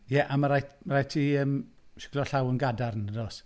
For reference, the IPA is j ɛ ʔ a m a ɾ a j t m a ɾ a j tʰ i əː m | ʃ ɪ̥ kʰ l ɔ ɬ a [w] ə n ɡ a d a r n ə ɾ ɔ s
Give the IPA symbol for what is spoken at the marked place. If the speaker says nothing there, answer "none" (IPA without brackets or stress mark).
w